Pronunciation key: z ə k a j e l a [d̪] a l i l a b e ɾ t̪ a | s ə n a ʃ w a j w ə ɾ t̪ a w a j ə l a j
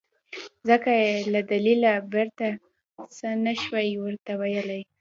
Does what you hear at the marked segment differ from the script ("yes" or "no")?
no